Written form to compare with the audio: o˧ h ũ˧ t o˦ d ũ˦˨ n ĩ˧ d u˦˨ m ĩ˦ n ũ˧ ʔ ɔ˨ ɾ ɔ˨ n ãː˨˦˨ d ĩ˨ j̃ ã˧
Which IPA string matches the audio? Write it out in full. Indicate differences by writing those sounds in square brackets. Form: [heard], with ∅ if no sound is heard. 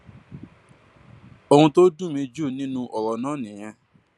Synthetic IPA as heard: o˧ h ũ˧ t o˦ d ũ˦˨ [m] ĩ˧ [d͡ʒ] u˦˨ [n] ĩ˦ n ũ˧ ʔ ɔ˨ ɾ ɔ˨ n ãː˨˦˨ [n] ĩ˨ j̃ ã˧